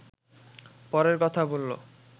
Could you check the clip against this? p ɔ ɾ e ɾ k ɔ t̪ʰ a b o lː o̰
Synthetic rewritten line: p ɔ ɾ e ɾ k ɔ t̪ʰ a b o lː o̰